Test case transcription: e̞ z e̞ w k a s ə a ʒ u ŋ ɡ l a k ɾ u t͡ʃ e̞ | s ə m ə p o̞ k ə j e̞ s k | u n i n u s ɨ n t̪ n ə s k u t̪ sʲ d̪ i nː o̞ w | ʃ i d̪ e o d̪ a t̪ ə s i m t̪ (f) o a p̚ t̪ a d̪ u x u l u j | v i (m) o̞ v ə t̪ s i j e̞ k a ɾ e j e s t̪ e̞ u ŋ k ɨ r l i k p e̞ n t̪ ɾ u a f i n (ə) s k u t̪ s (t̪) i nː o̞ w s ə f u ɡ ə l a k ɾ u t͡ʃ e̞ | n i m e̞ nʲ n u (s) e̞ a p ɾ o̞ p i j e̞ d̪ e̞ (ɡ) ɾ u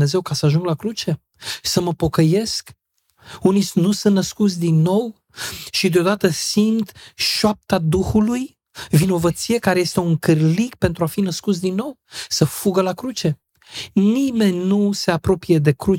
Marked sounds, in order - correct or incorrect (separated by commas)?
incorrect, incorrect, correct, incorrect, correct, incorrect